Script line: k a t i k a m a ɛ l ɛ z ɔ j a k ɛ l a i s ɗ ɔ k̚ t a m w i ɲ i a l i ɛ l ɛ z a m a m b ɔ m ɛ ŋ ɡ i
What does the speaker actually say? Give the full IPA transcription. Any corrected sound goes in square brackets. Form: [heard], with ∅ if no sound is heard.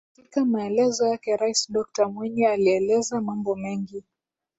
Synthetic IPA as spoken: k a t i k a m a ɛ l ɛ z ɔ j a k ɛ [ɾ] a i s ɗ ɔ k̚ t a m w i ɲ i a l i ɛ l ɛ z a m a m b ɔ m ɛ ŋ ɡ i